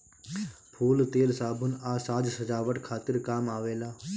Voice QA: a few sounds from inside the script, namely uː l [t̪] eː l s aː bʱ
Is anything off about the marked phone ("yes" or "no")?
no